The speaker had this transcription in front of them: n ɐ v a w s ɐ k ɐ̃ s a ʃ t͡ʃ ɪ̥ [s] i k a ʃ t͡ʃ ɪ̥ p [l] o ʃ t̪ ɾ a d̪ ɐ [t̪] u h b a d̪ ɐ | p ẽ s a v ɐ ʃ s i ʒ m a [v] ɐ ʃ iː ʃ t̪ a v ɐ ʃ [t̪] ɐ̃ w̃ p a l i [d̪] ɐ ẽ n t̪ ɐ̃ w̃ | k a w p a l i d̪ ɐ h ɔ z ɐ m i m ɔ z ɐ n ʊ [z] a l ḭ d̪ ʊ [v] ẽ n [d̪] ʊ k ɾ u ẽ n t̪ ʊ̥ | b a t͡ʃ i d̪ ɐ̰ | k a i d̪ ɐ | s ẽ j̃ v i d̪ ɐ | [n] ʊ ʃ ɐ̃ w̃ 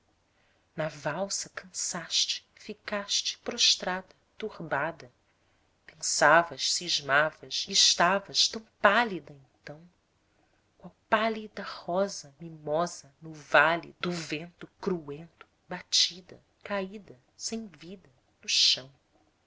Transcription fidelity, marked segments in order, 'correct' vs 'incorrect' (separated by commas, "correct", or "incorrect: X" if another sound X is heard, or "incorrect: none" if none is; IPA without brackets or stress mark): incorrect: f, incorrect: ɾ, correct, correct, correct, correct, incorrect: v, correct, incorrect: t̪, correct